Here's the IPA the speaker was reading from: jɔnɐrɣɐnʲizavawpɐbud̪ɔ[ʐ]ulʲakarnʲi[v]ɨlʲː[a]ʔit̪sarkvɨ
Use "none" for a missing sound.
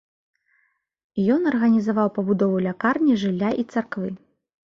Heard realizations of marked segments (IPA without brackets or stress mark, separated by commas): v, ʐ, a